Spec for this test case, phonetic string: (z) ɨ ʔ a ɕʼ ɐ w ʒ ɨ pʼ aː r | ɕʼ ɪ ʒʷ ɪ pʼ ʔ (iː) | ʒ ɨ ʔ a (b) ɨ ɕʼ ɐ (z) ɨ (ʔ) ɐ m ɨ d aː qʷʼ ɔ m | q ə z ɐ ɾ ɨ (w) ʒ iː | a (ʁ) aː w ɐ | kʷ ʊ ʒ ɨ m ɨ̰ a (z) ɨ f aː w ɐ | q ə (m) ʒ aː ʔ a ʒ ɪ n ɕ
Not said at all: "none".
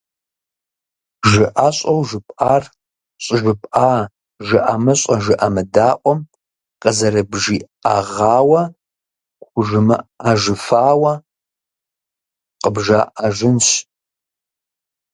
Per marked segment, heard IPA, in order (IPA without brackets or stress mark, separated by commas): ʒ, aː, m, ʒ, ʔ, b, ʁ, ʒ, b